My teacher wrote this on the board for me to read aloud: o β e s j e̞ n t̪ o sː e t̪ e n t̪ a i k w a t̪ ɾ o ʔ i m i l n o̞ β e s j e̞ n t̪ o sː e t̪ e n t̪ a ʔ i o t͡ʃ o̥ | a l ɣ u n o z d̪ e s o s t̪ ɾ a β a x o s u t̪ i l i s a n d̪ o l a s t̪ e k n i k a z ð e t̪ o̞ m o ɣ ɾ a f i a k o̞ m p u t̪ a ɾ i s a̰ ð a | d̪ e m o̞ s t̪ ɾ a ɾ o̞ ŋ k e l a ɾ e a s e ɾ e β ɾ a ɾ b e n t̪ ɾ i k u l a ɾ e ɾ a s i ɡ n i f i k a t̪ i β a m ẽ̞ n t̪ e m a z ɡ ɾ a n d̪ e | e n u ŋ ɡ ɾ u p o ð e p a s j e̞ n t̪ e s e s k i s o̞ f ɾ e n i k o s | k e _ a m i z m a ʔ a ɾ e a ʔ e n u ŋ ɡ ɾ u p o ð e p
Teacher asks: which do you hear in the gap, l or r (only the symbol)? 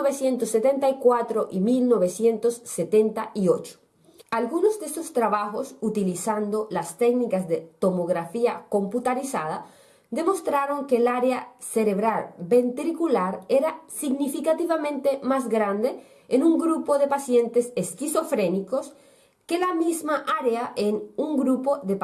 l